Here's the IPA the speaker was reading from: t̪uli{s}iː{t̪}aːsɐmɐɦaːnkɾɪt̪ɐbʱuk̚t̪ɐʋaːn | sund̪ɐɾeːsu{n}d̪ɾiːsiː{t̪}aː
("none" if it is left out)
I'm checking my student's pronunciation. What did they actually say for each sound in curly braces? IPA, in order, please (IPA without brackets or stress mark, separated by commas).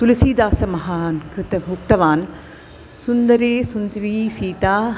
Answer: s, d̪, n, t̪